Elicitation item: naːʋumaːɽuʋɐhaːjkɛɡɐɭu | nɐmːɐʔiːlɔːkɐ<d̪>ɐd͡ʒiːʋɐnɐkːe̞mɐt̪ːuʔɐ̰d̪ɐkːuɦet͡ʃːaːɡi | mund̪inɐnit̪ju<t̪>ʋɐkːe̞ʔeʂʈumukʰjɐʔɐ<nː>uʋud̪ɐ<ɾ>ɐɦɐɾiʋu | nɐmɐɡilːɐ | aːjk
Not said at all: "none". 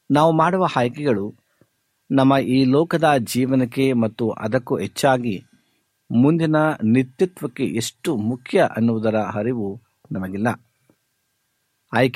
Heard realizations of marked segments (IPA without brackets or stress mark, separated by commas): d̪, t̪, nː, ɾ